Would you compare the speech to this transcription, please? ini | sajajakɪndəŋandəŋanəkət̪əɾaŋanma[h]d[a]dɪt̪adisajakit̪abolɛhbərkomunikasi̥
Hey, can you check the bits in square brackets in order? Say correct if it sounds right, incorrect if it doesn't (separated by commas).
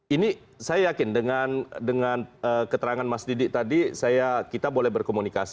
incorrect, incorrect